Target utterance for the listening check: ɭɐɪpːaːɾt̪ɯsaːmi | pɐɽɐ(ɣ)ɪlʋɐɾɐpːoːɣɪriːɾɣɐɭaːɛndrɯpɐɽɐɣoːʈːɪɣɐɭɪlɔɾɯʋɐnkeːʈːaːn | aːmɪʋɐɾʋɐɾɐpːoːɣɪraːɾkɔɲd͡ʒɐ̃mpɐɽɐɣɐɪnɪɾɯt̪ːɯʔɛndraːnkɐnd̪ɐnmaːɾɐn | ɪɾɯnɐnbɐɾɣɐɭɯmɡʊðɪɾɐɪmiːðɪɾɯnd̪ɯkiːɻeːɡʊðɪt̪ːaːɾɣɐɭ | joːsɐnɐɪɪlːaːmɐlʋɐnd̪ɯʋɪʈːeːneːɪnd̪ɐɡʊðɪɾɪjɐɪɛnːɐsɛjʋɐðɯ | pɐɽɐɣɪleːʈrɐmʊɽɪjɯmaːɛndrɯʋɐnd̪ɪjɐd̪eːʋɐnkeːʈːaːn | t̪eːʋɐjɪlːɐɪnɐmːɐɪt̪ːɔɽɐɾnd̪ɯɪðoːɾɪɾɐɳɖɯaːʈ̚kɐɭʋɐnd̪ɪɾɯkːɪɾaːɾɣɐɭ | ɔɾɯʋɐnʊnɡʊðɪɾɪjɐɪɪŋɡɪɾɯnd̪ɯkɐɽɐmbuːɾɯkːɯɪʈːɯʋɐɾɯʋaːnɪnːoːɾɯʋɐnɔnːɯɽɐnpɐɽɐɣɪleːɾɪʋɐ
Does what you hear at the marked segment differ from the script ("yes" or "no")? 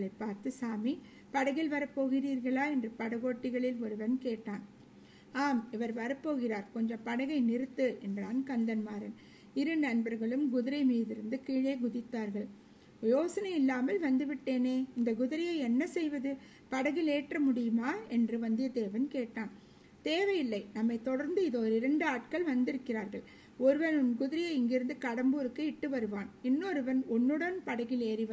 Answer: no